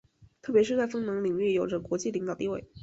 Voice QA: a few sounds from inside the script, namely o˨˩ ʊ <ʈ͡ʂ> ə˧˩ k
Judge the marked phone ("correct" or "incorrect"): correct